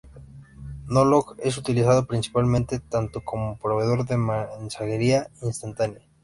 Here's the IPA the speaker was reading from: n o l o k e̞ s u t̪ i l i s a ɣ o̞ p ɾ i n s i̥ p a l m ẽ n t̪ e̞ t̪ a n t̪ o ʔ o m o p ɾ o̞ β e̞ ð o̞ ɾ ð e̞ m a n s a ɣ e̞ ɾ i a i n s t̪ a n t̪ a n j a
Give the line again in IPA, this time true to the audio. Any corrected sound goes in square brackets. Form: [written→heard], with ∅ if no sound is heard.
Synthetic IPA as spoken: n o l o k e̞ s u t̪ i l i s a [ɣ→ð] o̞ p ɾ i n s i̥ p a l m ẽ n t̪ e̞ t̪ a n t̪ o [ʔ→k] o m o p ɾ o̞ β e̞ ð o̞ ɾ ð e̞ m a n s a ɣ e̞ ɾ i a i n s t̪ a n t̪ a n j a

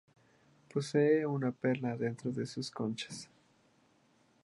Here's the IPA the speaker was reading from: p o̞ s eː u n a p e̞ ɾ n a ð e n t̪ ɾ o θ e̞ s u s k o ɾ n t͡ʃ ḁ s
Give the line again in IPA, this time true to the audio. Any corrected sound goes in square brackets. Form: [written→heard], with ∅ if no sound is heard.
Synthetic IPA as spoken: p o̞ s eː u n a p e̞ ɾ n a ð e n t̪ ɾ o [θ→ð] e̞ s u s k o [ɾ→∅] n t͡ʃ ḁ s

